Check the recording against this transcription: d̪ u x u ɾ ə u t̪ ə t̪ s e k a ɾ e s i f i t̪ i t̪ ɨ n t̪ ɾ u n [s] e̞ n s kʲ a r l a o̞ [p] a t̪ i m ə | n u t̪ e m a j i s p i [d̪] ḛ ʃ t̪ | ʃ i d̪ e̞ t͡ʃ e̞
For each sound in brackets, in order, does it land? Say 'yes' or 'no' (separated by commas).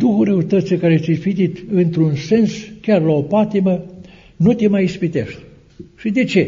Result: yes, yes, no